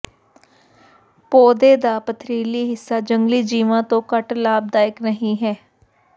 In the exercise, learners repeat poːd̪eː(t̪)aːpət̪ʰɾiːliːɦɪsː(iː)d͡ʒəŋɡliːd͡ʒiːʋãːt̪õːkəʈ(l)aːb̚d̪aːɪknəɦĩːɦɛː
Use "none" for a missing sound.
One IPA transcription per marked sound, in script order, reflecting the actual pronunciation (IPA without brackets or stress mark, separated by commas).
d̪, aː, l